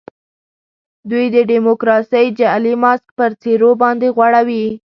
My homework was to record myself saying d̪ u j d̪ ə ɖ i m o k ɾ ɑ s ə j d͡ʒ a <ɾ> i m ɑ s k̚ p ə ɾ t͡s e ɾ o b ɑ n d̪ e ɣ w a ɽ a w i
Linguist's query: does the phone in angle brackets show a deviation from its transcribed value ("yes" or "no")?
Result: yes